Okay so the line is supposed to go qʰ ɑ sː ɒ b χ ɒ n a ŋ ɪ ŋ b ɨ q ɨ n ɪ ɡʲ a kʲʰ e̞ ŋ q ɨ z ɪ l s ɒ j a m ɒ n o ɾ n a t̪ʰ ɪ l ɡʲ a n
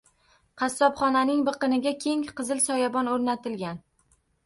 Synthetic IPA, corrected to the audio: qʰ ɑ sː ɒ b χ ɒ n a n ɪ ŋ b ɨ q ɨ n ɪ ɡʲ a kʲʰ e̞ ŋ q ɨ z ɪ l s ɒ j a b ɒ n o ɾ n a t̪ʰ ɪ l ɡʲ a n